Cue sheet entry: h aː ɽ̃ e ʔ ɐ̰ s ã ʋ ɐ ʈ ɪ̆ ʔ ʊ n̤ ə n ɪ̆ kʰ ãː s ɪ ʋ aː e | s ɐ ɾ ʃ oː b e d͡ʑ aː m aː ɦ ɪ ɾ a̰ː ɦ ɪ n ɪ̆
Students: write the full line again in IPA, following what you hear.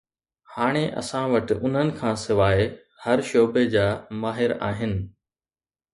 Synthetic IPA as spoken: h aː ɽ̃ e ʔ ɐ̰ s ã ʋ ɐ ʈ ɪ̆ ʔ ʊ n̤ ə n ɪ̆ kʰ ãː s ɪ ʋ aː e | h ɐ ɾ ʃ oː b e d͡ʑ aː m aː ɦ ɪ ɾ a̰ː ɦ ɪ n ɪ̆